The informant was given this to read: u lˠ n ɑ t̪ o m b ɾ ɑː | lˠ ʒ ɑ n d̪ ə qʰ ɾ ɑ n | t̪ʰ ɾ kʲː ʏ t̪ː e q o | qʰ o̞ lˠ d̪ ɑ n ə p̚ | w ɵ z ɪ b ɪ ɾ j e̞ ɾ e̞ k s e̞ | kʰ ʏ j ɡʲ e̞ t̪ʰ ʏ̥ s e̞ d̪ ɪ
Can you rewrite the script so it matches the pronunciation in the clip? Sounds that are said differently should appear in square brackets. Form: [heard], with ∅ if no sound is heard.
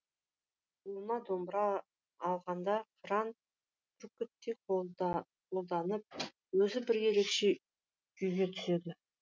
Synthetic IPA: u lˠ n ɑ [d̪] o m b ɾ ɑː | lˠ [ʁ] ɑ n d̪ [ɑ] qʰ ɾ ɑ n | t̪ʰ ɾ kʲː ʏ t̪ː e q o | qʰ o̞ lˠ d̪ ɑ n ə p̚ | w ɵ z ɪ b ɪ ɾ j e̞ ɾ e̞ k [ʃ] e̞ | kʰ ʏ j ɡʲ e̞ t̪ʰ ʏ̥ s e̞ d̪ ɪ

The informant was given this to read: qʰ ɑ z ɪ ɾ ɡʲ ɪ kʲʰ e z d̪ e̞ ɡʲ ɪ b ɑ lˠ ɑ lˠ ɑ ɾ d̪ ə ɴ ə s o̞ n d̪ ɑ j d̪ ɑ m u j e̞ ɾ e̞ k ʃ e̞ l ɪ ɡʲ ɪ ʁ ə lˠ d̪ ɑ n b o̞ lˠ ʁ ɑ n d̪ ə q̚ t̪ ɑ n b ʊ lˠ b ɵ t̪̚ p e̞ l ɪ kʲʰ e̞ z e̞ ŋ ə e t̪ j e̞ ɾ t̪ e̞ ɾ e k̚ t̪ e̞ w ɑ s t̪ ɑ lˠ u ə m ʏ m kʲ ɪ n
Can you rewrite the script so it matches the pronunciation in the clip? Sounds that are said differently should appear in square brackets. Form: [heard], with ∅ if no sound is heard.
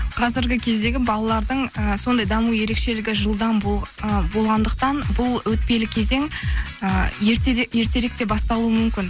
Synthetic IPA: qʰ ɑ z ɪ ɾ ɡʲ ɪ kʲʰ e z d̪ e̞ ɡʲ ɪ b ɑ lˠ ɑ lˠ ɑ ɾ d̪ ə ɴ ə s o̞ n d̪ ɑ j d̪ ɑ m u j e̞ ɾ e̞ k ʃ e̞ l ɪ ɡʲ ɪ [ʒ] ə lˠ d̪ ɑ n b o̞ lˠ ʁ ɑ n d̪ ə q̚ t̪ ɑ n b ʊ lˠ [w] ɵ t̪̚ p e̞ l ɪ kʲʰ e̞ z e̞ ŋ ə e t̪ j e̞ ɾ t̪ e̞ ɾ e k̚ t̪ e̞ [b] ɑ s t̪ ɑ lˠ u ə m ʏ m kʲ ɪ n

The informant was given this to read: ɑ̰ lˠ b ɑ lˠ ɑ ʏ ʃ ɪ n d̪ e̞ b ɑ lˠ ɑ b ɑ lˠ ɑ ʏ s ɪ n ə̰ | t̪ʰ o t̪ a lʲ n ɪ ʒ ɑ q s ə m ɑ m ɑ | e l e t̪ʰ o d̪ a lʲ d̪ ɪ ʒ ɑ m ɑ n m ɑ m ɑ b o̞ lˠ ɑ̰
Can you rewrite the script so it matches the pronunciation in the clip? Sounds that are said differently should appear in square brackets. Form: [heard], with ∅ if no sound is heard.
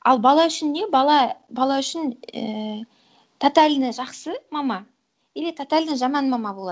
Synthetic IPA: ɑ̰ lˠ b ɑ lˠ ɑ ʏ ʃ ɪ n d̪ e̞ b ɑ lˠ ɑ b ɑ lˠ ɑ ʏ [ʃ] ɪ n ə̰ | t̪ʰ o t̪ a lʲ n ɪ ʒ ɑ q s ə m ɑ m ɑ | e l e t̪ʰ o [t̪] a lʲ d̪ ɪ ʒ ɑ m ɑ n m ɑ m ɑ b o̞ lˠ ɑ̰

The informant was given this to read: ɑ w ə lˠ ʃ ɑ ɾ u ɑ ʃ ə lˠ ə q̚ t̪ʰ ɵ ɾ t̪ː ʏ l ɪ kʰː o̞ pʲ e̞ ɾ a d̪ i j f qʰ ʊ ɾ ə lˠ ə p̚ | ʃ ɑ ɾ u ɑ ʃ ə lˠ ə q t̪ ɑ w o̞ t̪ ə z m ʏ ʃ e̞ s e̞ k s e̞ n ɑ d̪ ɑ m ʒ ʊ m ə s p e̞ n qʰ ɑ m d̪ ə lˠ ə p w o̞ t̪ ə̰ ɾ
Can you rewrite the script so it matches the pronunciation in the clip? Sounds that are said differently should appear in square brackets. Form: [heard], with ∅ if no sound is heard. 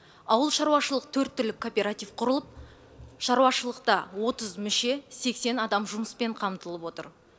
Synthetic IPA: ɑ w ə lˠ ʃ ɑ ɾ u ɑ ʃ ə lˠ ə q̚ t̪ʰ ɵ ɾ t̪ː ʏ l ɪ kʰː o̞ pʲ e̞ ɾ a [t̪] i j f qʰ ʊ ɾ ə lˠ ə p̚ | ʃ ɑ ɾ u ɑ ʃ ə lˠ ə q t̪ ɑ w o̞ t̪ ə z m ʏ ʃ e̞ s e̞ k s e̞ n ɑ d̪ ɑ m ʒ ʊ m ə s p e̞ [ɴ] qʰ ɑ m [t̪] ə lˠ ə p w o̞ t̪ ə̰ ɾ

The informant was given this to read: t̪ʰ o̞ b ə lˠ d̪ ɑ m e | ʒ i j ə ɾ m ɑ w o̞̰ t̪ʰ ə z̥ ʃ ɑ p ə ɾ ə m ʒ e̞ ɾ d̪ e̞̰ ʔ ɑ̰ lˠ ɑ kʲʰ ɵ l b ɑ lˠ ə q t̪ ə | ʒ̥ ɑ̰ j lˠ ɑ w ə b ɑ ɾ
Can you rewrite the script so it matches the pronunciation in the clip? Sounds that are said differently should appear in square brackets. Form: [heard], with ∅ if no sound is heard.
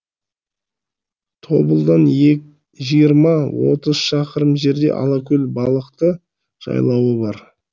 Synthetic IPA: t̪ʰ o̞ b ə lˠ d̪ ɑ [n] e | ʒ i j ə ɾ m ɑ w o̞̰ [t̪] ə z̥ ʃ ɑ [q] ə ɾ ə m ʒ e̞ ɾ d̪ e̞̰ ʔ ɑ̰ lˠ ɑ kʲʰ ɵ l b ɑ lˠ ə q t̪ ə | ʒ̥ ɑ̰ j lˠ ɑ w ə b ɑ ɾ

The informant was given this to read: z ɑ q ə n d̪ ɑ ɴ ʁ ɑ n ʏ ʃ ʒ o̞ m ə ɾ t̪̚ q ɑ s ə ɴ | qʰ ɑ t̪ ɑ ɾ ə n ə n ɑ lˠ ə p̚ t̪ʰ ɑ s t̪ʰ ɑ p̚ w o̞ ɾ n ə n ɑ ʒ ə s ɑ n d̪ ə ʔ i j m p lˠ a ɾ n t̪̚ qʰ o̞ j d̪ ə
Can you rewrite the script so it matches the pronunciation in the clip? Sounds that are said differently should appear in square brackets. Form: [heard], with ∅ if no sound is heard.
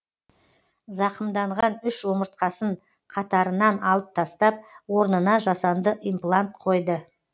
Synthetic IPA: z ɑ q ə [m] d̪ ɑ ɴ ʁ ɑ n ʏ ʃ ʒ o̞ m ə ɾ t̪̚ q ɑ s ə ɴ | qʰ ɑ t̪ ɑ ɾ ə n [ɑ] n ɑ lˠ ə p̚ t̪ʰ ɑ s [t̪] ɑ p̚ w o̞ ɾ n ə n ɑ ʒ [ɑ] s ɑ n d̪ ə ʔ i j m p lˠ a [∅] n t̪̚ qʰ o̞ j d̪ ə

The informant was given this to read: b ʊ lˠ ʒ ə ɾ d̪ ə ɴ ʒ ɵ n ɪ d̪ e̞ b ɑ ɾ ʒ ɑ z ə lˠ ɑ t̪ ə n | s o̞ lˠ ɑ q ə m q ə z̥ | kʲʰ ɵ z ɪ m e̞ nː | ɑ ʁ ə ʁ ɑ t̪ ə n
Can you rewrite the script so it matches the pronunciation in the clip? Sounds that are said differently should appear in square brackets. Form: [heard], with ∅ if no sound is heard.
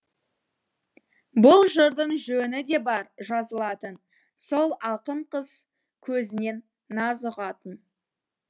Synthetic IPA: b ʊ lˠ ʒ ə ɾ d̪ ə ɴ ʒ ɵ n ɪ d̪ e̞ b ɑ ɾ ʒ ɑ z ə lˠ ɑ t̪ ə n | s o̞ lˠ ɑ q ə [ɴ] q ə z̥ | kʲʰ ɵ z ɪ [n] e̞ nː | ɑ [z] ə ʁ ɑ t̪ ə n

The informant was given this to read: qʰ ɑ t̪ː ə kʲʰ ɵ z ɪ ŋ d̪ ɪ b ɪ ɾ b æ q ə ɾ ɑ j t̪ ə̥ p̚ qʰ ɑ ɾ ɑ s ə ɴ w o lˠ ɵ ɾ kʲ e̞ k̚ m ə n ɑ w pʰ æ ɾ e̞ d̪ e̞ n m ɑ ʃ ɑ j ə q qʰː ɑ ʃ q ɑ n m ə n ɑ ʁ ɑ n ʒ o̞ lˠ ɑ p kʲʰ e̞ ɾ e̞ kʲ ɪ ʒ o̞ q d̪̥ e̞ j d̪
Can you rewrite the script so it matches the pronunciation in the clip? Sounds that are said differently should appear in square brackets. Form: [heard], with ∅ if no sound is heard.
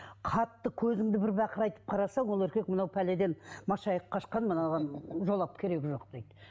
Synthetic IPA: qʰ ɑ t̪ː ə kʲʰ ɵ z ɪ ŋ d̪ ɪ b ɪ ɾ b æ q ə ɾ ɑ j t̪ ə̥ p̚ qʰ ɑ ɾ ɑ s [ɑ] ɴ w o lˠ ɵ ɾ kʲ e̞ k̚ m ə n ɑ w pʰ æ [l] e̞ d̪ e̞ n m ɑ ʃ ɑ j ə q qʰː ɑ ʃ q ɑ n m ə n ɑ ʁ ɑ n ʒ o̞ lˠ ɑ p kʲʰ e̞ ɾ e̞ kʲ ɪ ʒ o̞ q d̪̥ e̞ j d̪

